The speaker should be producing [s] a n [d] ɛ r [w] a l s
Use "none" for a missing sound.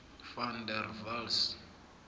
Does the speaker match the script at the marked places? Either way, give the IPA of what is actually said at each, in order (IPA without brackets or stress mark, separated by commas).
f, d, v